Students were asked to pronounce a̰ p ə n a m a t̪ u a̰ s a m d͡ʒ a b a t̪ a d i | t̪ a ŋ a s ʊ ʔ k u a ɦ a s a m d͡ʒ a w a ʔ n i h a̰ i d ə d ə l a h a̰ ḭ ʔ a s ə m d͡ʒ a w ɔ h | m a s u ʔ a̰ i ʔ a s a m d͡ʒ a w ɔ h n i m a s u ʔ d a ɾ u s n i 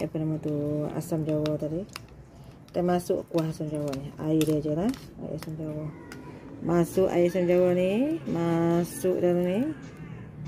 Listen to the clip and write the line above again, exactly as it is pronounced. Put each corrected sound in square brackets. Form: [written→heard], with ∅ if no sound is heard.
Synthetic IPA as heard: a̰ p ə n a m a t̪ u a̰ s a m d͡ʒ a [b→w] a t̪ a d i | t̪ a [ŋ→m] a s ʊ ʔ k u a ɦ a s a m d͡ʒ a w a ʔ n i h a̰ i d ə [d→d͡ʒ] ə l a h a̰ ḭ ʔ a s [ə→a] m d͡ʒ a w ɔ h | m a s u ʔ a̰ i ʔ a s a m d͡ʒ a w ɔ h n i m a s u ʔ d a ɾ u [s→∅] n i